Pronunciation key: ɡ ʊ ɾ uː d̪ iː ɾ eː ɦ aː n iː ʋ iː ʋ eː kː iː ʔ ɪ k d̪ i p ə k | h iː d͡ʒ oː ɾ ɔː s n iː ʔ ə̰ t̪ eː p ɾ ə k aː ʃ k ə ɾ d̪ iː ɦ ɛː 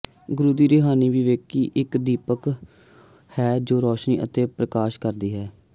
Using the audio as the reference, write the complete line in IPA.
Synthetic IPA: ɡ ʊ ɾ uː d̪ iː ɾ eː ɦ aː n iː ʋ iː ʋ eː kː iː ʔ ɪ k d̪ iː p ə k | h ɛː d͡ʒ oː ɾ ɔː ʃ n iː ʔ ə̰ t̪ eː p ɾ ə k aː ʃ k ə ɾ d̪ iː ɦ ɛː